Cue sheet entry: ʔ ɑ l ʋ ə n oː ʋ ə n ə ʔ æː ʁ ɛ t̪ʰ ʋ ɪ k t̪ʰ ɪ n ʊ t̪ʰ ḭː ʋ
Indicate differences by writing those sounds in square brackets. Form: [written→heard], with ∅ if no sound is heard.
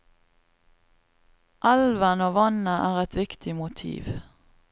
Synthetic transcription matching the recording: ʔ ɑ l ʋ ə n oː ʋ [ə→ɑ] n ə ʔ æː ʁ ɛ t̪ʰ ʋ ɪ k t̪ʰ ɪ [n→m] ʊ t̪ʰ ḭː ʋ

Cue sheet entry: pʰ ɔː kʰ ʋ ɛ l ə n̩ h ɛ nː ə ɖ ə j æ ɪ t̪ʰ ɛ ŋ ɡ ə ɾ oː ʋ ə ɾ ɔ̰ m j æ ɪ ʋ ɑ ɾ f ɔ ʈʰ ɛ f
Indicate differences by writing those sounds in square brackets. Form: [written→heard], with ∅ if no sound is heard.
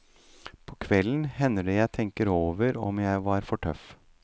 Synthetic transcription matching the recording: pʰ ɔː kʰ ʋ ɛ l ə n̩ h ɛ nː ə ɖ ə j æ ɪ t̪ʰ ɛ ŋ [ɡ→k] ə ɾ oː ʋ ə ɾ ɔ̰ m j æ ɪ ʋ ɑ ɾ f ɔ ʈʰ [ɛ→œ] f

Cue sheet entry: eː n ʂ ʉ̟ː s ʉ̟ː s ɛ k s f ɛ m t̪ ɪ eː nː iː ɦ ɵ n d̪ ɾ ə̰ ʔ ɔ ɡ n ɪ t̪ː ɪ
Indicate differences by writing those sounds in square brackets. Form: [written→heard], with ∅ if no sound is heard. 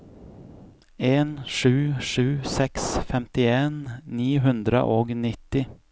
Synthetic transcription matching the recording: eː n ʂ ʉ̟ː [s→ʂ] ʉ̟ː s ɛ k s f ɛ m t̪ ɪ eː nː iː ɦ ɵ n d̪ ɾ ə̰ ʔ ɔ ɡ n ɪ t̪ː ɪ

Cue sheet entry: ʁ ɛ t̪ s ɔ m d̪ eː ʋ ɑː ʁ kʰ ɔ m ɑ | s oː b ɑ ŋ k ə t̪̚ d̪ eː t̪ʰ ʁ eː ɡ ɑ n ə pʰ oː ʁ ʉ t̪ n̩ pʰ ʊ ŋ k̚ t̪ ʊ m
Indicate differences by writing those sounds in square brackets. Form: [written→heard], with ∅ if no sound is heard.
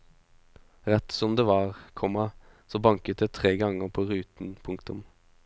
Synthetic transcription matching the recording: ʁ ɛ t̪ s ɔ m d̪ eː ʋ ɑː ʁ kʰ ɔ m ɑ | s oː b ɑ ŋ k ə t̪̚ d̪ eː t̪ʰ ʁ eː ɡ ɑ [n→ŋ] ə pʰ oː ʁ [ʉ→ʉː] t̪ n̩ pʰ ʊ ŋ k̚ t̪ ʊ m

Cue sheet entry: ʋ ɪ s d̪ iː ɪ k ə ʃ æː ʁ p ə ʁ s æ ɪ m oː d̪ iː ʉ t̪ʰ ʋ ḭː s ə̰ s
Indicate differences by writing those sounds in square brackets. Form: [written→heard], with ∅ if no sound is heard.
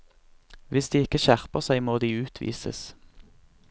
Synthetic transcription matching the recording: ʋ ɪ s d̪ iː ɪ k ə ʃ [æː→æ] ʁ p ə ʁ s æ ɪ m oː d̪ iː [ʉ→ʉː] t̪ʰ ʋ ḭː s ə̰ s

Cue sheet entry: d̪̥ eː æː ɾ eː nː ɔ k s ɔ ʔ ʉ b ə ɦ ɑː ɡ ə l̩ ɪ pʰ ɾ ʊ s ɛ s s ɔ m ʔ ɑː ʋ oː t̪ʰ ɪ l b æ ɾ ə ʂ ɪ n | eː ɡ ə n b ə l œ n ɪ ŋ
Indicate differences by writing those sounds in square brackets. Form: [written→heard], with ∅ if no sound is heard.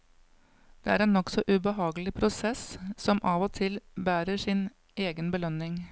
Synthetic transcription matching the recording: d̪̥ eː æː ɾ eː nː ɔ k s ɔ ʔ ʉ b ə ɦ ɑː ɡ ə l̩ ɪ pʰ ɾ ʊ s ɛ s s ɔ m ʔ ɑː ʋ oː t̪ʰ ɪ l b [æ→æː] ɾ ə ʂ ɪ n | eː ɡ ə n b ə l œ n ɪ ŋ

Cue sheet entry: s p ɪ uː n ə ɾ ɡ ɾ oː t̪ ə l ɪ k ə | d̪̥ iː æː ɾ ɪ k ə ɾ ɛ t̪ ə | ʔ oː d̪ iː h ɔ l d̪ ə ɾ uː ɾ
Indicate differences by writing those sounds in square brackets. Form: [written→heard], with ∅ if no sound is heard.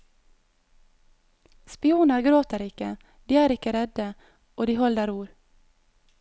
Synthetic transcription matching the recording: s p ɪ uː n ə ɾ ɡ ɾ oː t̪ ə [l→ɾ] ɪ k ə | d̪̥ iː æː ɾ ɪ k ə ɾ ɛ [t̪→d̪] ə | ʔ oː d̪ iː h ɔ l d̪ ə ɾ uː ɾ

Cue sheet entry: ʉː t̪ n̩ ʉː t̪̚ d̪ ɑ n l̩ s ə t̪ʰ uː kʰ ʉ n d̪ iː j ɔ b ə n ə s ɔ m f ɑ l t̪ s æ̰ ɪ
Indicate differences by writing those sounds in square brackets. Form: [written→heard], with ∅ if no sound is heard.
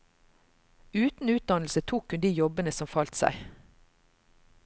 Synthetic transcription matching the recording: ʉː t̪ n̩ ʉː t̪̚ d̪ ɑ n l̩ s ə t̪ʰ uː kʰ ʉ n d̪ iː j ɔ b ə n ə s ɔ m f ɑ l t̪ s æ̰ ɪ

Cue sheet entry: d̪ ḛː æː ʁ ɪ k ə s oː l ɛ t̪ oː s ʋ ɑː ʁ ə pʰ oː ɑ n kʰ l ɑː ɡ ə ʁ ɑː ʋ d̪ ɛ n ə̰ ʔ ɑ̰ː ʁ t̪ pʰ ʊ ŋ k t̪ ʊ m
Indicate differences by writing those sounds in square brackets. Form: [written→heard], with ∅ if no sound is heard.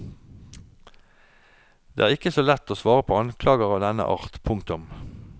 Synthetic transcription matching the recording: d̪ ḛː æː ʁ ɪ k ə s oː l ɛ t̪ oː s ʋ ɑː ʁ ə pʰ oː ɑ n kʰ l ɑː ɡ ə ʁ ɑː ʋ d̪ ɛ n ə̰ ʔ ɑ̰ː ʁ t̪ pʰ ʊ ŋ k t̪ ʊ m

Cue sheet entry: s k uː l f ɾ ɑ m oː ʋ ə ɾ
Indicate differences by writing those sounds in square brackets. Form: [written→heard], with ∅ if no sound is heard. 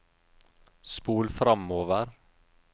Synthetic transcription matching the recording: s [k→p] uː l f ɾ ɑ m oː ʋ ə ɾ

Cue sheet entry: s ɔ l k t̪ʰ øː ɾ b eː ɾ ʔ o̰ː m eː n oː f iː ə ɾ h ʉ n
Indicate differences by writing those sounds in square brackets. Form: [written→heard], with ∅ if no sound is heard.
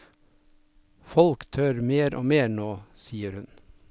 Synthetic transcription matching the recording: [s→f] ɔ l k t̪ʰ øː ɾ [b→m] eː ɾ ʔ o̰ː m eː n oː [f→s] iː ə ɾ h ʉ n

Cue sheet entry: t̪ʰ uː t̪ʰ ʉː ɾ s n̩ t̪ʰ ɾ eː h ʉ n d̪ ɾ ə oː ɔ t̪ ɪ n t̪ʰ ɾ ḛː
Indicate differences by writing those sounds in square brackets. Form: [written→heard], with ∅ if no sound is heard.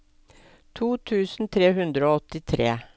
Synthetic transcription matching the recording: t̪ʰ uː t̪ʰ ʉː [ɾ→∅] s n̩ t̪ʰ ɾ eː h ʉ n d̪ ɾ ə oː ɔ t̪ ɪ [n→∅] t̪ʰ ɾ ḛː

